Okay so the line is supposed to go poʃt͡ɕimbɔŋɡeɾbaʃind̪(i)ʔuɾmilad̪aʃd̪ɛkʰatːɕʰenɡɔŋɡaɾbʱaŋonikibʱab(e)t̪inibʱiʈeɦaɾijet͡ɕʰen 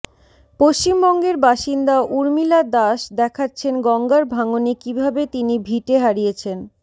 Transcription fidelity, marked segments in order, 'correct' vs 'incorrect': incorrect, correct

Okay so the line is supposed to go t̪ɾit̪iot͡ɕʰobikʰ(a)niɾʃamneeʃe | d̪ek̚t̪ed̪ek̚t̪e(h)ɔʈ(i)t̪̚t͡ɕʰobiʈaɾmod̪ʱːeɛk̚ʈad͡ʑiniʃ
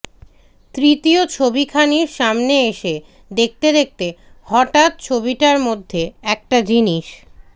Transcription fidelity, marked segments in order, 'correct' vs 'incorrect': correct, correct, incorrect

